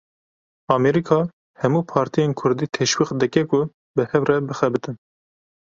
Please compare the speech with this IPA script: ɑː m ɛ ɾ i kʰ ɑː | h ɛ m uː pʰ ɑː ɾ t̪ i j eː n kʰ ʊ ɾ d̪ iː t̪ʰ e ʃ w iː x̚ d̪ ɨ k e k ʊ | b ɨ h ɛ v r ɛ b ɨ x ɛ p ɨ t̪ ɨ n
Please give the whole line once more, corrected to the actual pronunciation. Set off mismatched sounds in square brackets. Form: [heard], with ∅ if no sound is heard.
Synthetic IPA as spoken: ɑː m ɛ ɾ i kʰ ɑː | h ɛ m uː pʰ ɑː ɾ t̪ i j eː n kʰ ʊ ɾ d̪ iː t̪ʰ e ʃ w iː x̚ d̪ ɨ k [ɛ] k ʊ | b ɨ h ɛ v r ɛ b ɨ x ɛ [b] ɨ t̪ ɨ n